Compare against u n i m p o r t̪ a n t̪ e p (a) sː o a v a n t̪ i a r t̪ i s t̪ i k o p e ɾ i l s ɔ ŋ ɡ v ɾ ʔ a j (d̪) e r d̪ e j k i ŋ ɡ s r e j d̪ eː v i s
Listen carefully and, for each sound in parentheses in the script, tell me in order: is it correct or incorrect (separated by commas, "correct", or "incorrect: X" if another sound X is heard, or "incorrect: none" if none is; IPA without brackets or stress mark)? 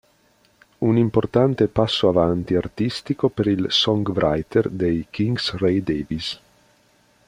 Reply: correct, incorrect: t̪